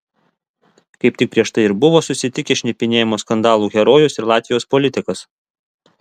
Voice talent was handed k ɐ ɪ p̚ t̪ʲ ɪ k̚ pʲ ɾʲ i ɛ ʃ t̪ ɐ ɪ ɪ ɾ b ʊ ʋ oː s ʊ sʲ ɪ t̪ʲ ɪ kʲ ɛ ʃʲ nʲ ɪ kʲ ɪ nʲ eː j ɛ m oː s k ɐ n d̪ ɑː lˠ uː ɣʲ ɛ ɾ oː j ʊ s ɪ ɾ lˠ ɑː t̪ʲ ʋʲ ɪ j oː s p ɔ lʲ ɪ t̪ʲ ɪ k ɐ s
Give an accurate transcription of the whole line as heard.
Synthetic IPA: k ɐ ɪ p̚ t̪ʲ ɪ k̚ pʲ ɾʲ i ɛ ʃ t̪ ɐ ɪ ɪ ɾ b ʊ ʋ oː s ʊ sʲ ɪ t̪ʲ ɪ kʲ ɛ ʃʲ nʲ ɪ pʲ ɪ nʲ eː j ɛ m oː s k ɐ n d̪ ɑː lˠ uː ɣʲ ɛ ɾ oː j ʊ s ɪ ɾ lˠ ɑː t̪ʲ ʋʲ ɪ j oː s p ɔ lʲ ɪ t̪ʲ ɪ k ɐ s